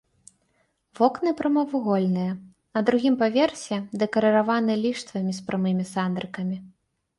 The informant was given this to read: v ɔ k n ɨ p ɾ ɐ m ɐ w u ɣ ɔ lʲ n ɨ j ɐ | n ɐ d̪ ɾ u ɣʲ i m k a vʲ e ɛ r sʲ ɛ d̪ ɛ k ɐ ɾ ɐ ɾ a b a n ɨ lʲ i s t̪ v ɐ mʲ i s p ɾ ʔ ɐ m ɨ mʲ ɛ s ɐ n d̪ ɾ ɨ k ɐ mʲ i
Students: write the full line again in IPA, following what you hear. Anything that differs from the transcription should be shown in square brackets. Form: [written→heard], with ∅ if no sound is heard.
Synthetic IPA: v ɔ k n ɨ p ɾ ɐ m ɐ [w→v] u ɣ ɔ lʲ n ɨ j ɐ | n ɐ d̪ ɾ u ɣʲ i m [k→p] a vʲ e ɛ r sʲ ɛ d̪ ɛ k ɐ ɾ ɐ ɾ a [b→v] a n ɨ lʲ i [s→ʂ] t̪ v ɐ mʲ i s p ɾ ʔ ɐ m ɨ mʲ [ɛ→i] s [ɐ→a] n d̪ ɾ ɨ k ɐ mʲ i

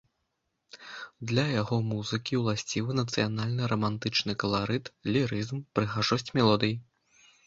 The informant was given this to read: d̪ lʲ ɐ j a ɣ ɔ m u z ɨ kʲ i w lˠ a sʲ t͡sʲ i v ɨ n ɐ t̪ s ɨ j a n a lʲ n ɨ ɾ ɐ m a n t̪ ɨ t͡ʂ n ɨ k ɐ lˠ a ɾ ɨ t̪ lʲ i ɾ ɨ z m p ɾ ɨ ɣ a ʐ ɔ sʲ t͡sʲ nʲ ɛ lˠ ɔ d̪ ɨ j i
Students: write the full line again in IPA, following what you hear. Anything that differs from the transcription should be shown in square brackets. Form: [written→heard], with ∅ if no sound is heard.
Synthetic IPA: d̪ lʲ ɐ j a ɣ ɔ m u z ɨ kʲ i w lˠ a sʲ t͡sʲ i v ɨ n ɐ t̪ s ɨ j a n a lʲ n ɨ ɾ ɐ m a n t̪ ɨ t͡ʂ n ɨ k ɐ lˠ a ɾ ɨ t̪ lʲ i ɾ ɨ z m p ɾ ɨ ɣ a ʐ ɔ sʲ t͡sʲ [nʲ→mʲ] ɛ lˠ ɔ d̪ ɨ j i

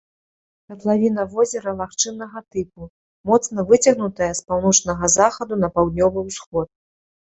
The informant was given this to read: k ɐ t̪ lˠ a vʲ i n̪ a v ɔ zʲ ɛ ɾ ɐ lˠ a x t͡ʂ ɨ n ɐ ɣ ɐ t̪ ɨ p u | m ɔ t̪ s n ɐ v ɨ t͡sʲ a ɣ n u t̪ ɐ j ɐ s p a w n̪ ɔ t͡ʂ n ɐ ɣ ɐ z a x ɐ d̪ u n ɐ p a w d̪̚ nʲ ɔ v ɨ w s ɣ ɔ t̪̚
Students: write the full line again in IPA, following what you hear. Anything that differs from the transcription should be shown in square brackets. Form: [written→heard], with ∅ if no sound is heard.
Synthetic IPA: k ɐ t̪ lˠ a vʲ i n̪ [a→ɐ] v ɔ zʲ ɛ ɾ ɐ lˠ a x t͡ʂ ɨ n ɐ ɣ ɐ t̪ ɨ p u | m ɔ t̪ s n ɐ v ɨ t͡sʲ [a→ɐ] ɣ n u t̪ ɐ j ɐ s p a w n̪ ɔ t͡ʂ n ɐ ɣ ɐ z a x ɐ d̪ u n ɐ p a w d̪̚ nʲ ɔ v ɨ w s [ɣ→x] ɔ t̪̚

